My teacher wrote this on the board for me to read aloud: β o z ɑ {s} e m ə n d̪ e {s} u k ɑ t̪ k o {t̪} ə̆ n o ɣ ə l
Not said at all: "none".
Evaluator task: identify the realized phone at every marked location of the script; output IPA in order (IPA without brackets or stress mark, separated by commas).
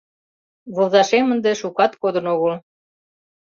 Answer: ʃ, ʃ, d̪